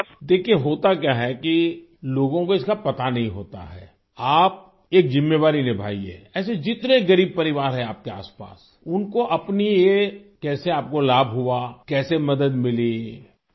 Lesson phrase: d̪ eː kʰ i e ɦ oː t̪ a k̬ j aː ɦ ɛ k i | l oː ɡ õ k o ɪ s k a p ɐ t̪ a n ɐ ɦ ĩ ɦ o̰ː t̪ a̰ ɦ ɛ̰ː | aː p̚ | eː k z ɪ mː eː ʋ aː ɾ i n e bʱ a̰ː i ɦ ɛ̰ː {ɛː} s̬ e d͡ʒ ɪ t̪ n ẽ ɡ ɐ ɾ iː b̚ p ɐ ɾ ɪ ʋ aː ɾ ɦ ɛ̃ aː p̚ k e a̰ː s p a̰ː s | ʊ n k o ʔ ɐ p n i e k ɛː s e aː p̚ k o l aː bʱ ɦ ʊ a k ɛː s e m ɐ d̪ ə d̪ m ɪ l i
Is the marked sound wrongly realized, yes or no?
no